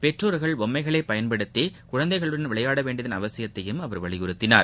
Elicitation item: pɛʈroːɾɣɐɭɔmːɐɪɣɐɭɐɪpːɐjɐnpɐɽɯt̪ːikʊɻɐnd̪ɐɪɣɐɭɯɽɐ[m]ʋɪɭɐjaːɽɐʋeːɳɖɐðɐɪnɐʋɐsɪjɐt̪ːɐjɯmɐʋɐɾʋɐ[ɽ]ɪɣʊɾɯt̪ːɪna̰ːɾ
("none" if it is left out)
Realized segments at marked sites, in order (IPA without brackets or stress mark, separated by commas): n, ɭ